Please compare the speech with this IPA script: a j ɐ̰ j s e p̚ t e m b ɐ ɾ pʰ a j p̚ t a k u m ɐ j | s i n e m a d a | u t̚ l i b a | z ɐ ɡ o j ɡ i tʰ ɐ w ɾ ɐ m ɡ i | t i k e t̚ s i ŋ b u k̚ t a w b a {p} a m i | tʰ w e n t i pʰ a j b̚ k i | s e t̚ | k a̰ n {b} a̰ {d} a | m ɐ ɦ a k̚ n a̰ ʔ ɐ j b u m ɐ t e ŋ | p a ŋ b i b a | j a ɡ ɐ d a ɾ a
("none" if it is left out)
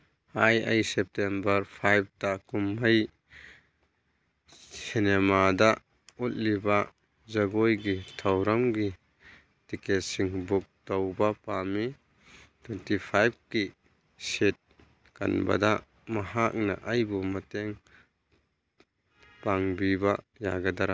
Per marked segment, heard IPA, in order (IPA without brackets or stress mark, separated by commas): p, b, d